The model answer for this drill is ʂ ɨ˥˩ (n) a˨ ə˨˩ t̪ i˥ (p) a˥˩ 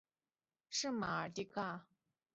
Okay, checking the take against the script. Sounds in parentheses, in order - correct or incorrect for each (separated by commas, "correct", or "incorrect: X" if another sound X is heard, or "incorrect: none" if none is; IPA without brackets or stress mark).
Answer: incorrect: m, incorrect: k